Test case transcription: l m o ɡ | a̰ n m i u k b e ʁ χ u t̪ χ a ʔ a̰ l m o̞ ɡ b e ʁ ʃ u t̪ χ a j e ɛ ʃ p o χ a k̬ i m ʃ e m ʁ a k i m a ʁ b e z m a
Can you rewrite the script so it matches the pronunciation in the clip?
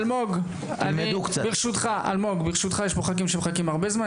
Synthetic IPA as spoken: l m o ɡ | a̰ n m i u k b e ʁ ʃ u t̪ χ a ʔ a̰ l m o̞ ɡ b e ʁ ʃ u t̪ χ a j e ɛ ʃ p o χ a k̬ i m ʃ e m χ a k i m a ʁ b e z m a